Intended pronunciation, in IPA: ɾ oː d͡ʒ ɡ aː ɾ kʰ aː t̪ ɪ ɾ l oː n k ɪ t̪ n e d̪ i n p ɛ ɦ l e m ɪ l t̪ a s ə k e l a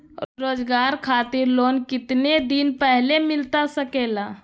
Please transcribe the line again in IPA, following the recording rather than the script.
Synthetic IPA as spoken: ɾ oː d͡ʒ ɡ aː ɾ kʰ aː t̪ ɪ ɾ l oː n k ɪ t̪ n e d̪ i n p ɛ ɦ l e m ɪ l t̪ a s ə k e l a